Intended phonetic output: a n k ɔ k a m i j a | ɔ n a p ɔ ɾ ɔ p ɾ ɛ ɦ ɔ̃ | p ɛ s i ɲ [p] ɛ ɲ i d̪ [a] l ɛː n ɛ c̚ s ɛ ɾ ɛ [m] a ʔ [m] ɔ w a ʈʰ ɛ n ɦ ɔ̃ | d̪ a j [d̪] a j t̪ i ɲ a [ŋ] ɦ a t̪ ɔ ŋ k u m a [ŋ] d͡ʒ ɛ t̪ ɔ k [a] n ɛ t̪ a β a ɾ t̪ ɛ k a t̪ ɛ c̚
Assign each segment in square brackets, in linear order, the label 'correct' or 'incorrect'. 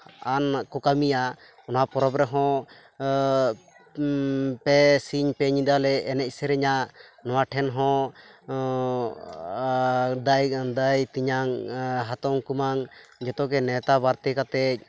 correct, correct, incorrect: ɲ, incorrect: n, correct, correct, correct, incorrect: ɛ

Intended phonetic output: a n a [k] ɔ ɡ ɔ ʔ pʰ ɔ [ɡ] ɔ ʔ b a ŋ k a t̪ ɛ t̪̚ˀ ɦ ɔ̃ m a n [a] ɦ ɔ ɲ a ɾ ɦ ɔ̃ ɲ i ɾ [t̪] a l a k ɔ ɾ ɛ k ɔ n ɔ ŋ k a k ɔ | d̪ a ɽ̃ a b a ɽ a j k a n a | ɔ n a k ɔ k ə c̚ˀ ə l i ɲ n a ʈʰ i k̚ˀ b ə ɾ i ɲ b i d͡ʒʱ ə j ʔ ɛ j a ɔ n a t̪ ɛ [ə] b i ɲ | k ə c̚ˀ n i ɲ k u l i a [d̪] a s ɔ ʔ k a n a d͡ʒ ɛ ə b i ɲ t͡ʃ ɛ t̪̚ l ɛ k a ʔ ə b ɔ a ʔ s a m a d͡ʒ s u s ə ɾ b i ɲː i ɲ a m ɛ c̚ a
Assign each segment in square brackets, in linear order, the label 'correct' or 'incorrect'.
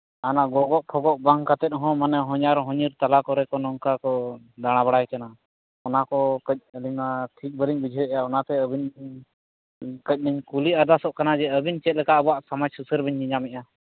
incorrect: ɡ, correct, incorrect: ɛ, correct, correct, correct

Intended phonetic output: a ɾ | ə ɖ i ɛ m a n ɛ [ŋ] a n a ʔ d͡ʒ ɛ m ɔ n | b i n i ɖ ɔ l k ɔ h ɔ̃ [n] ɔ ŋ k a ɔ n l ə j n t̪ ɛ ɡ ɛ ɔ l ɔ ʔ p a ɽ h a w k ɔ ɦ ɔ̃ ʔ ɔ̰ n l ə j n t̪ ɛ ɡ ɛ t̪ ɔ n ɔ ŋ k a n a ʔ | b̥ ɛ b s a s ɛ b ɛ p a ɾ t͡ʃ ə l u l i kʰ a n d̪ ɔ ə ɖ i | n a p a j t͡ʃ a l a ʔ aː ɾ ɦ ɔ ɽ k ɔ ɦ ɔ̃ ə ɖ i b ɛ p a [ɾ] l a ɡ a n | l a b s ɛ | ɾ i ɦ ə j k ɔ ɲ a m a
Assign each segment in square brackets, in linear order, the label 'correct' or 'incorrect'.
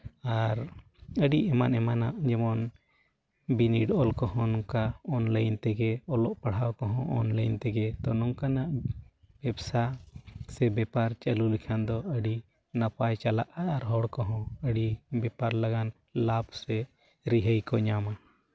incorrect: m, correct, correct

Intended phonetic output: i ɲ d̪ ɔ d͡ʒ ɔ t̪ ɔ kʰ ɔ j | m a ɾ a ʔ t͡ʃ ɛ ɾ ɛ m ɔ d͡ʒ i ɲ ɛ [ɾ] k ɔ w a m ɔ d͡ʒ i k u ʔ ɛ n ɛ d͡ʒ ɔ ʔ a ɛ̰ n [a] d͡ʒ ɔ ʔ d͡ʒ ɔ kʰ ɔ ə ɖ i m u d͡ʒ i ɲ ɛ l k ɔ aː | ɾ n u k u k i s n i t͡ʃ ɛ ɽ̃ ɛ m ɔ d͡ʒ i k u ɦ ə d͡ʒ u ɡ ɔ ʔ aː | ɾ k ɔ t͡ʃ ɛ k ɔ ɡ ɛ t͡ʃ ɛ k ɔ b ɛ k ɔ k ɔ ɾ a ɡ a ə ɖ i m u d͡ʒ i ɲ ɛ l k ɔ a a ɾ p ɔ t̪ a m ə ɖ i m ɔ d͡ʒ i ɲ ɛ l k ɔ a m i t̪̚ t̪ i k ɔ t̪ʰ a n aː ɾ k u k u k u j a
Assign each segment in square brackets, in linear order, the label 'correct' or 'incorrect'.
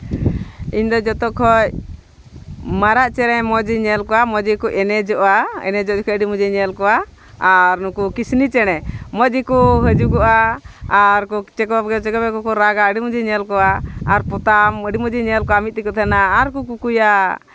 incorrect: l, incorrect: ɛ

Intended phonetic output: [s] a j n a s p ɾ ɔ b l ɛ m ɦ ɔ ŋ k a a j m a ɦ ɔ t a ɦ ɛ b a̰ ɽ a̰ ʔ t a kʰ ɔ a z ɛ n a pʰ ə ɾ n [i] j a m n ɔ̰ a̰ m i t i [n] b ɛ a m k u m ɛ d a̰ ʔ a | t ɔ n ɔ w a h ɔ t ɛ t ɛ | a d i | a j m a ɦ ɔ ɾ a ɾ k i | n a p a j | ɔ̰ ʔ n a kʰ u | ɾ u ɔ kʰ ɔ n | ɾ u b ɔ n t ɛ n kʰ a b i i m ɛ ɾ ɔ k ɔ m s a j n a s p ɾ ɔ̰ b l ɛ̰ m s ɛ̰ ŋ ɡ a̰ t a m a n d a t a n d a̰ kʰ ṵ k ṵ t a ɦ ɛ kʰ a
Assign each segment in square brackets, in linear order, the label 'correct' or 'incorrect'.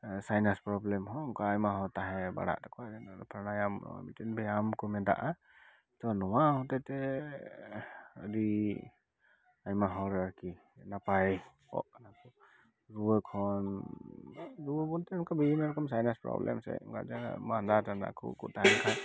correct, incorrect: a, correct

